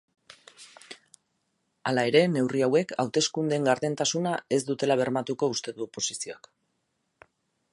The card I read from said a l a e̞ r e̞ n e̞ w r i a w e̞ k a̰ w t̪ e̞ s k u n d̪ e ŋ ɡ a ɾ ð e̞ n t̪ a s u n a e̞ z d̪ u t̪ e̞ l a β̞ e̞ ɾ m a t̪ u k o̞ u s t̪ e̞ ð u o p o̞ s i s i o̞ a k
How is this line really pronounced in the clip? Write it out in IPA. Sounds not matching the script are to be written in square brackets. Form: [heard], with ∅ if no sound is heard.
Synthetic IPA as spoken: a l a e̞ [ɾ] e̞ n e̞ w r i a w e̞ k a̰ w t̪ e̞ s k u n d̪ e ŋ ɡ a ɾ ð e̞ n t̪ a s u n a e̞ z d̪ u t̪ e̞ l a β̞ e̞ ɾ m a t̪ u k o̞ u s t̪ e̞ ð u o p o̞ s i s i o̞ a k

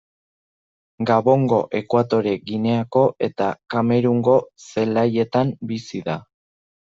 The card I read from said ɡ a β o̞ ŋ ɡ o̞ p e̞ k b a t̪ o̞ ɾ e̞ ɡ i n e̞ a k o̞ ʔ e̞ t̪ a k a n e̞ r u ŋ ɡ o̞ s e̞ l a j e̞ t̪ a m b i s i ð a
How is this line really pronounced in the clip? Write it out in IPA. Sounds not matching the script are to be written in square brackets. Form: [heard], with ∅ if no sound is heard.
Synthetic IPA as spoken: ɡ a β o̞ ŋ ɡ o̞ [ʔ] e̞ k [w] a t̪ o̞ ɾ e̞ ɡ i n e̞ a k o̞ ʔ e̞ t̪ a k a [m] e̞ [ɾ] u ŋ ɡ o̞ s e̞ l a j e̞ t̪ a m b i s i ð a

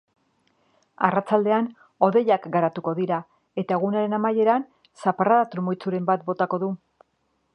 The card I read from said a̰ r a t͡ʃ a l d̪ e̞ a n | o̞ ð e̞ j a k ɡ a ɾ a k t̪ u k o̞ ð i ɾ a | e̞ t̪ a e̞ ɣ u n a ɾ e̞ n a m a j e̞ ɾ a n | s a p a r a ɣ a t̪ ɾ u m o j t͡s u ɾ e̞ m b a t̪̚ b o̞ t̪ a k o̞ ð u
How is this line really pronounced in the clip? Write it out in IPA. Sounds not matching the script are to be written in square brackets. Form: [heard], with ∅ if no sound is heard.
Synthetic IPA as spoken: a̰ r a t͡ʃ a l d̪ e̞ a n | o̞ ð e̞ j a k ɡ a ɾ a [∅] t̪ u k o̞ ð i ɾ a | e̞ t̪ a e̞ ɣ u n a ɾ e̞ n a m a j e̞ ɾ a n | s a p a r a [ð] a t̪ ɾ u m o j t͡s u ɾ e̞ m b a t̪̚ b o̞ t̪ a k o̞ ð u

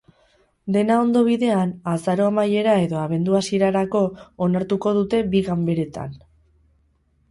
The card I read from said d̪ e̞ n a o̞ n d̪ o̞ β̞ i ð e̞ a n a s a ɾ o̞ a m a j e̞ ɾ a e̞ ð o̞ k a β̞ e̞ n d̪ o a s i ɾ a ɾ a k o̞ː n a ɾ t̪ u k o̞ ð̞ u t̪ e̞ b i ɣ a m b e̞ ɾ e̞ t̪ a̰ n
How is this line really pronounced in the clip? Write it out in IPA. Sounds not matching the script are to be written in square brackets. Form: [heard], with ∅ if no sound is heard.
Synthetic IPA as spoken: d̪ e̞ n a o̞ n d̪ o̞ β̞ i ð e̞ a n a s a ɾ o̞ a m a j e̞ ɾ a e̞ ð o̞ [∅] a β̞ e̞ n d̪ [u] a s i ɾ a ɾ a k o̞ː n a ɾ t̪ u k o̞ ð̞ u t̪ e̞ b i ɣ a m b e̞ ɾ e̞ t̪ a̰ n

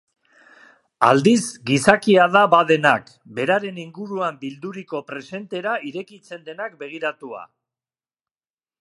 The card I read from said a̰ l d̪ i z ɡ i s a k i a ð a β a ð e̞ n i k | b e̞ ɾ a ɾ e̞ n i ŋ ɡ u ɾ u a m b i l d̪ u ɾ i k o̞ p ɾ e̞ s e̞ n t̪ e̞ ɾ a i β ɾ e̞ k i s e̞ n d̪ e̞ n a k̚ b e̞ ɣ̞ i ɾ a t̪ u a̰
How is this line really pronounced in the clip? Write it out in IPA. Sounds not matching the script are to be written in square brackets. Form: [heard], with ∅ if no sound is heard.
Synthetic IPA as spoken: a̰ l d̪ i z ɡ i s a k i a ð a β a ð e̞ n [a] k | b e̞ ɾ a ɾ e̞ n i ŋ ɡ u ɾ u a m b i l d̪ u ɾ i k o̞ p ɾ e̞ s e̞ n t̪ e̞ ɾ a i [∅] ɾ e̞ k i [t͡s] e̞ n d̪ e̞ n a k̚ b e̞ ɣ̞ i ɾ a t̪ u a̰

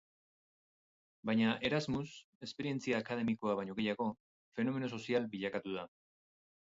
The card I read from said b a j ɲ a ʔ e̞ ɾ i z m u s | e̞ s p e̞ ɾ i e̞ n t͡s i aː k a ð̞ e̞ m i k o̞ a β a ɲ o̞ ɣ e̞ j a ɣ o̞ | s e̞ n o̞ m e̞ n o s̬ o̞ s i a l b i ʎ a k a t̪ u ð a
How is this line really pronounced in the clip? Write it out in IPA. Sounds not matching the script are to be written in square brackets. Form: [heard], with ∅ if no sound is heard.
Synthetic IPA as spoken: b a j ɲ a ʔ e̞ ɾ [a] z m u s | e̞ s p e̞ ɾ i e̞ n t͡s i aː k a ð̞ e̞ m i k o̞ a β a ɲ o̞ ɣ e̞ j a ɣ o̞ | [f] e̞ n o̞ m e̞ n o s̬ o̞ s i a l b i ʎ a k a t̪ u ð a

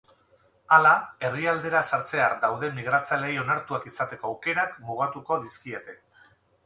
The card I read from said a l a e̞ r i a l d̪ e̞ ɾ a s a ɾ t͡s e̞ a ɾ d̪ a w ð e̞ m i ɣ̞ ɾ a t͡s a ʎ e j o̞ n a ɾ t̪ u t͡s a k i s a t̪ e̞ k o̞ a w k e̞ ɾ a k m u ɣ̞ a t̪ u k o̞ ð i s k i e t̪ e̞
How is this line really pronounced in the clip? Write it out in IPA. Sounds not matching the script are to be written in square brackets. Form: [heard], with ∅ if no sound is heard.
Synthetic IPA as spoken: a l a e̞ r i a l d̪ e̞ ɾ a s a ɾ t͡s e̞ a ɾ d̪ a w ð e̞ m i ɣ̞ ɾ a t͡s a [l] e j o̞ n a ɾ t̪ u [∅] a k i s a t̪ e̞ k o̞ a w k e̞ ɾ a k m u ɣ̞ a t̪ u k o̞ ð i s k i e t̪ e̞

